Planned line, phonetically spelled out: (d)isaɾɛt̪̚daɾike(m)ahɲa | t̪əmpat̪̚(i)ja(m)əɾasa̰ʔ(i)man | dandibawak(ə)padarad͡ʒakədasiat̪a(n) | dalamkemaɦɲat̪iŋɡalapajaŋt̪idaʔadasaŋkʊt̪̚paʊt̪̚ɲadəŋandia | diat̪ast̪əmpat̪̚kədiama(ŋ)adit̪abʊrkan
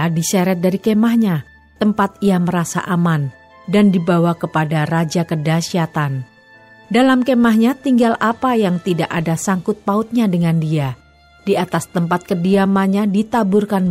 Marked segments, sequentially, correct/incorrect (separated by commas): correct, correct, correct, correct, incorrect, correct, correct, incorrect